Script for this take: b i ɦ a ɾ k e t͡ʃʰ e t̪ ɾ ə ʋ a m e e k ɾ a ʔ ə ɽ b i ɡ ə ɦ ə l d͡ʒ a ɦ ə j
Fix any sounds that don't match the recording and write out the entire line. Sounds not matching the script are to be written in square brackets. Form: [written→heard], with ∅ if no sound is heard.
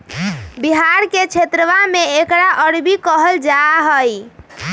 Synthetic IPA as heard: b i ɦ a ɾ k e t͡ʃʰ e t̪ ɾ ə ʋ a m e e k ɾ a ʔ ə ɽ b i [ɡ→k] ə ɦ ə l d͡ʒ a ɦ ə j